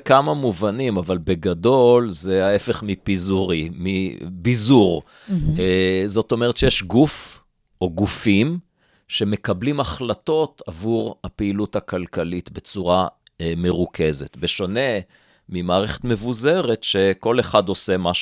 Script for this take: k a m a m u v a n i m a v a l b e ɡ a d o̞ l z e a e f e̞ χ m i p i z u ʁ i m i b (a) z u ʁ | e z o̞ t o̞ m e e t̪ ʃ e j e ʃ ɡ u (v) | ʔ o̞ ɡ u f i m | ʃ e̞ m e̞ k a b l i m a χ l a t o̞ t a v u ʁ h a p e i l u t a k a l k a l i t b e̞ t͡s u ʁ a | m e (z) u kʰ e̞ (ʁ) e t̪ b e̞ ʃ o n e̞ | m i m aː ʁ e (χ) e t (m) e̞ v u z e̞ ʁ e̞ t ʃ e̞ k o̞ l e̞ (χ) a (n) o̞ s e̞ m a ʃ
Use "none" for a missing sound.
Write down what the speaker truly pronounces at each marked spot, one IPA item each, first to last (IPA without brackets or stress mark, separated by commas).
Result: i, f, ʁ, z, χ, m, χ, d